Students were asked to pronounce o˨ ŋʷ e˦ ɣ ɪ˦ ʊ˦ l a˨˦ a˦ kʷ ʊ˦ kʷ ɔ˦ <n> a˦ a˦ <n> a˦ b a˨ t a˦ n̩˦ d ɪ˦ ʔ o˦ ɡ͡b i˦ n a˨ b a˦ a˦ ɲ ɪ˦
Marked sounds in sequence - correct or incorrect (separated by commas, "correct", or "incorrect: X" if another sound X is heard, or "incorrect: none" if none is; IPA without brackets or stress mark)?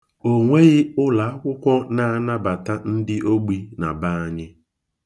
correct, correct